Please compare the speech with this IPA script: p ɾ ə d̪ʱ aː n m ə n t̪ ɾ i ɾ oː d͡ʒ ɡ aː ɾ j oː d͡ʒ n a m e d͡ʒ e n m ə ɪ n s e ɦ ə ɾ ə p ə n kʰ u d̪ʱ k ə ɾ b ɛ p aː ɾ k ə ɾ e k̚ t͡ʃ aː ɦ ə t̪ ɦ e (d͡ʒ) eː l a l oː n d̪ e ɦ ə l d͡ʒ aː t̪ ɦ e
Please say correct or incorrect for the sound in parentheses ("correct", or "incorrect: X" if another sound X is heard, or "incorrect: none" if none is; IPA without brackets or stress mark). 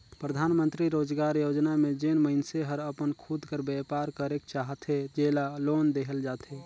correct